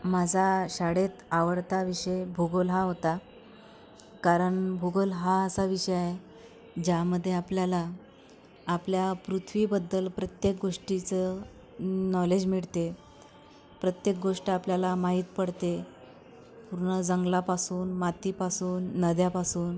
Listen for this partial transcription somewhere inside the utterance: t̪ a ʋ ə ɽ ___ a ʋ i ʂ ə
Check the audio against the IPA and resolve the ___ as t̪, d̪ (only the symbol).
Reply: t̪